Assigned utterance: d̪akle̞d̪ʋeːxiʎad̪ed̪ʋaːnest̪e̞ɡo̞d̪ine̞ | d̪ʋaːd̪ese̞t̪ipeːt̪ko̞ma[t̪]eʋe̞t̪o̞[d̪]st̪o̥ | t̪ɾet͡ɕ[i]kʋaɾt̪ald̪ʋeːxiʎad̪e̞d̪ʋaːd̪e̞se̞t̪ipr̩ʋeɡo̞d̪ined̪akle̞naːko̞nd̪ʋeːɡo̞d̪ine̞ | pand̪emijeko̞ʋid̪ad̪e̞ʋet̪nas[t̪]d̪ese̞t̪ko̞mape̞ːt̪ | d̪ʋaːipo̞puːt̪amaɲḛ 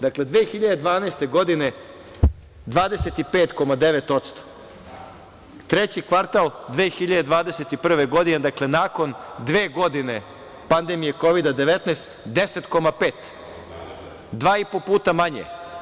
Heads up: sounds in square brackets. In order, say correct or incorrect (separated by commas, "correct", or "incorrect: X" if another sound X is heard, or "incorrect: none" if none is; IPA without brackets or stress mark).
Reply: incorrect: d̪, incorrect: t̪, correct, correct